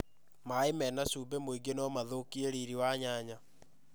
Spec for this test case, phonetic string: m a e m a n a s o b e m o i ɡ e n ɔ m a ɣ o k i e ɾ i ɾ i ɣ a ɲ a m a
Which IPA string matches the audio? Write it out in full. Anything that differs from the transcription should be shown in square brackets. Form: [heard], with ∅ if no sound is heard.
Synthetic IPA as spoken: m a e m [ɛ] n a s [u] b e m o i ɡ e n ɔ m a [ð] o k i e ɾ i ɾ i [w] a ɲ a [ɲ] a